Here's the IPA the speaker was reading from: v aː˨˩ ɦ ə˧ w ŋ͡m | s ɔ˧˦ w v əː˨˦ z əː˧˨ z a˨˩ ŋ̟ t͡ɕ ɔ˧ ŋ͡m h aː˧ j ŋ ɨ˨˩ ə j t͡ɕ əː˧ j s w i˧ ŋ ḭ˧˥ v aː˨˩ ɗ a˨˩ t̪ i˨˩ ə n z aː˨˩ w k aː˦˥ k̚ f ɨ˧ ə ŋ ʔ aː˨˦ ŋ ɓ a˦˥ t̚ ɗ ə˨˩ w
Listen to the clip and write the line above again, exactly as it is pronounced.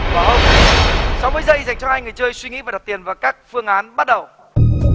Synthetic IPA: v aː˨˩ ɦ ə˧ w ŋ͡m | s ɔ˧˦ w v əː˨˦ z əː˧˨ z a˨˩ ŋ̟ t͡ɕ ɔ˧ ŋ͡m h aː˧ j ŋ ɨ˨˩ ə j t͡ɕ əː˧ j s w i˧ ŋ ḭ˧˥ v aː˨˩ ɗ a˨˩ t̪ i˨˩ ə n v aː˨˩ w k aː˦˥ k̚ f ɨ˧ ə ŋ ʔ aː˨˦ n ɓ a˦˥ t̚ ɗ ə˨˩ w